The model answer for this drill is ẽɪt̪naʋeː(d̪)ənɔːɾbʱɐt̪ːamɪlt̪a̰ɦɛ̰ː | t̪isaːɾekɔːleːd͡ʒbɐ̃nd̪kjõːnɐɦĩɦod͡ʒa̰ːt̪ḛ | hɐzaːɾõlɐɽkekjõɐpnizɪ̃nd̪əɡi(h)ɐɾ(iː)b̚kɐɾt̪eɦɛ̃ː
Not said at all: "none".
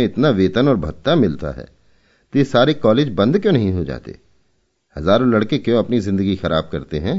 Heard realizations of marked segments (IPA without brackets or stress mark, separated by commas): t̪, x, aː